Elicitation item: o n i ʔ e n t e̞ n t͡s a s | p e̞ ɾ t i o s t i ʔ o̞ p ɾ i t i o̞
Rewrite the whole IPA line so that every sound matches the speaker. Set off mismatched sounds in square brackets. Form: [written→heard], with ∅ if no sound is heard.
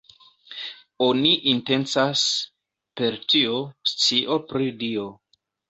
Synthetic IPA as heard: o n i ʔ [e→i] n t e̞ n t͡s a s | p e̞ ɾ t i o s [t→t͡s] i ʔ o̞ p ɾ i [t→d] i o̞